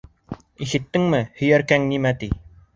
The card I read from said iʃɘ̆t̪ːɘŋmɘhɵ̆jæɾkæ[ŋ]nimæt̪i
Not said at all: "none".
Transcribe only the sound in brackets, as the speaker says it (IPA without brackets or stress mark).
ŋ